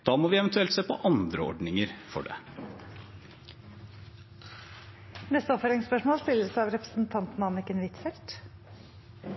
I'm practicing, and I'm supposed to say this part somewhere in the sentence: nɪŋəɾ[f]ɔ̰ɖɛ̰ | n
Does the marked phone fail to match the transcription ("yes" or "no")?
no